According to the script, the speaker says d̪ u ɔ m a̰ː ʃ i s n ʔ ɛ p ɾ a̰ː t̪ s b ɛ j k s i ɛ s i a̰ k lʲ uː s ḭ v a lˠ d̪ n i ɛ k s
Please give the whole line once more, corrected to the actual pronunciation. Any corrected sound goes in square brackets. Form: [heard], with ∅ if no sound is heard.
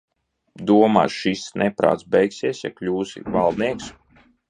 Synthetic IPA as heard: d̪ u ɔ m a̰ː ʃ i s n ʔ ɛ p ɾ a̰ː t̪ s b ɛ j k s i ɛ s [j] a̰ k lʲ uː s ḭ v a lˠ d̪ n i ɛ k s

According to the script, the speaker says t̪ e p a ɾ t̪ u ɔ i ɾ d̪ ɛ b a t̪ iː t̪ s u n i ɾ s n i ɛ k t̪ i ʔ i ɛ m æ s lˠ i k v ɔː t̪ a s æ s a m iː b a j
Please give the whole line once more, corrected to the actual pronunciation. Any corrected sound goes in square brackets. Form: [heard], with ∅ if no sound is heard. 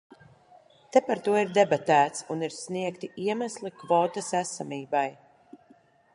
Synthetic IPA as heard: t̪ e p a ɾ t̪ u ɔ i ɾ d̪ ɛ b a t̪ [æː] t̪ s u n i ɾ s n i ɛ k t̪ i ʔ i ɛ m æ s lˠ i k v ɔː t̪ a s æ s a m iː b a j

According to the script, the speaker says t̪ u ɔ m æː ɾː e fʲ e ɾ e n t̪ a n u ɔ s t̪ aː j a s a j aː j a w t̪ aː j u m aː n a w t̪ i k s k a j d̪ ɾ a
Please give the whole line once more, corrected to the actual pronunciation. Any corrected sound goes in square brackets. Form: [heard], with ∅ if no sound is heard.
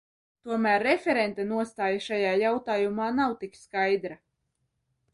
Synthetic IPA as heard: t̪ u ɔ m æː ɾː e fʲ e ɾ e n t̪ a n u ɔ s t̪ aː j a [ʃ] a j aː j a w t̪ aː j u m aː n a w t̪ i k s k a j d̪ ɾ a

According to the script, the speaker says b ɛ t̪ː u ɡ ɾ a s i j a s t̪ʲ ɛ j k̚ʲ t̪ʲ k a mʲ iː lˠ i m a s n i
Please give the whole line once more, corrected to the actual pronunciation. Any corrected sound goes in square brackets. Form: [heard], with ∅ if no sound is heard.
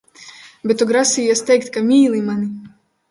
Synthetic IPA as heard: b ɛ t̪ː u ɡ ɾ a s i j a s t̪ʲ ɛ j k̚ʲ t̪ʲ k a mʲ iː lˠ i m a [∅] n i

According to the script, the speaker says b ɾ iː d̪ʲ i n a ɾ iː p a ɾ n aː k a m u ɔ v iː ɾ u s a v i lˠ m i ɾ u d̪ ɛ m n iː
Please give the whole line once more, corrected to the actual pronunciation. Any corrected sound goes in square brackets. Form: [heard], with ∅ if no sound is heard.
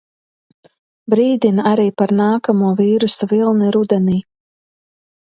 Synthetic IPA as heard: b ɾ iː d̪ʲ i n a ɾ iː p a ɾ n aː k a m u ɔ v iː ɾ u s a v i lˠ [n] i ɾ u d̪ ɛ [∅] n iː

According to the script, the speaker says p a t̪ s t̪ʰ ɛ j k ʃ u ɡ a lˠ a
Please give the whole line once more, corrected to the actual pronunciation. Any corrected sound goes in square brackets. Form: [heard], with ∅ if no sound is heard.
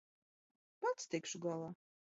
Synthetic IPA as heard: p a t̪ s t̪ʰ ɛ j k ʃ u ɡ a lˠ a

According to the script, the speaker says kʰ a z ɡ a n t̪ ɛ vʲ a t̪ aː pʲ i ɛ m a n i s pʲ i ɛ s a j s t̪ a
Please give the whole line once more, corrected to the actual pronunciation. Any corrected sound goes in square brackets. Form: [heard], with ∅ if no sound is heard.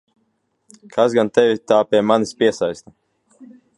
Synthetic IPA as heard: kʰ a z ɡ a n t̪ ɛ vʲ [i] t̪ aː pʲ i ɛ m a n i s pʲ i ɛ s a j s t̪ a

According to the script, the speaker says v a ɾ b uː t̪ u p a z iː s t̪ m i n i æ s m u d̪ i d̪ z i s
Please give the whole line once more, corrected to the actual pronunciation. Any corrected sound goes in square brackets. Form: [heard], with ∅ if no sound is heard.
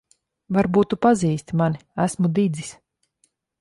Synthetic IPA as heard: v a ɾ b uː t̪ u p a z iː s t̪ m [a] n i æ s m u d̪ i d̪ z i s

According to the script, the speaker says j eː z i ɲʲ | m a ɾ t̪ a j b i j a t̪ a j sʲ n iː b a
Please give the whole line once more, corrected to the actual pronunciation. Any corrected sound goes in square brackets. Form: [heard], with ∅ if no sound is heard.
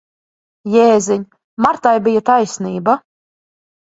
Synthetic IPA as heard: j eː z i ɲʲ | m a ɾ t̪ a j b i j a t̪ a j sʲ n iː b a

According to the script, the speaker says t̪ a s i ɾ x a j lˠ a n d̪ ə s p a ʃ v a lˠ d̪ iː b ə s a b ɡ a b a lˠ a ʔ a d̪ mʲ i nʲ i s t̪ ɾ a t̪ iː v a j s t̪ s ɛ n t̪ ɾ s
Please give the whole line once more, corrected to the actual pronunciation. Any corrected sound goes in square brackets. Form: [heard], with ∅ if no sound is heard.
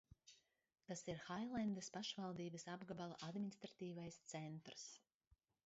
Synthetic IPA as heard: t̪ a s i ɾ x a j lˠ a n d̪ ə s p a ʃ v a lˠ d̪ iː b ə s a b ɡ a b a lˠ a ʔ a d̪ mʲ i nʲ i s t̪ ɾ a t̪ iː v a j s t̪ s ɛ n t̪ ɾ s

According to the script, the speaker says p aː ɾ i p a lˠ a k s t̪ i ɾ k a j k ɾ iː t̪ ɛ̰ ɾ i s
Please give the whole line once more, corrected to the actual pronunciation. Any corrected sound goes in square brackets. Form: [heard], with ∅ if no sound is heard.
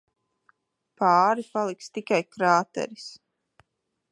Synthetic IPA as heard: p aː ɾ i p a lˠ [i] k s t̪ i [∅] k a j k ɾ [aː] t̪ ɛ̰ ɾ i s

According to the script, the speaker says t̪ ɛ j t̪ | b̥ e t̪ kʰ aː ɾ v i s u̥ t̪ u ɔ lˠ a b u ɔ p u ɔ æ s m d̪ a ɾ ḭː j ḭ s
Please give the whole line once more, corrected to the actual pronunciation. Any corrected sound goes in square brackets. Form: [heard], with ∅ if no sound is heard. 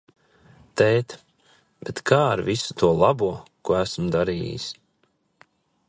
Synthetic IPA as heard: t̪ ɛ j t̪ | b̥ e t̪ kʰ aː ɾ v i s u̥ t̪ u ɔ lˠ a b u ɔ [k] u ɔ æ s m d̪ a ɾ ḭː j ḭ s

